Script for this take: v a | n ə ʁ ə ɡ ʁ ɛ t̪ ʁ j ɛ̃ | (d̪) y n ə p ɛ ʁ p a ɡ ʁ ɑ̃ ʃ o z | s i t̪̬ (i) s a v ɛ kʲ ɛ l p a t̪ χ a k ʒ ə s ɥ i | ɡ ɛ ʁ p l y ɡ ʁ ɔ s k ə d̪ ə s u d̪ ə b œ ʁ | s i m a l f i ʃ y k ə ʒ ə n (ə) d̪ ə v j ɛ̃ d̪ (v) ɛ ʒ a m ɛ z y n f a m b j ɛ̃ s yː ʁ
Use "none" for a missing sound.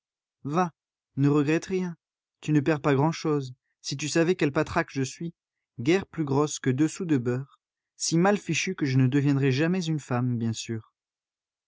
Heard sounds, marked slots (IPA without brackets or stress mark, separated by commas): t̪, y, ə, ʁ